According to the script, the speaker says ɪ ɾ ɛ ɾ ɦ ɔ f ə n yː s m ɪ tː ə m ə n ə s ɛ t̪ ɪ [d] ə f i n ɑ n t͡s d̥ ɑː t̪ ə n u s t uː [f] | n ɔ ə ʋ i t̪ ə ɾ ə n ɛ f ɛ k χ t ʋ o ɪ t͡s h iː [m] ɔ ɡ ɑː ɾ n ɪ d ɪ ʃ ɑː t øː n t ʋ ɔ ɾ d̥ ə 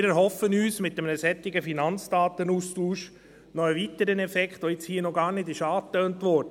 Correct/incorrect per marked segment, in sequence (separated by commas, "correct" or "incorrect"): incorrect, incorrect, incorrect